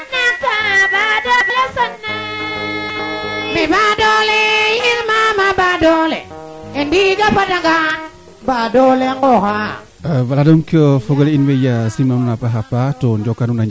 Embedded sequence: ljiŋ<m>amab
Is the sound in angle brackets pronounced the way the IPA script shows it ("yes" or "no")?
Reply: yes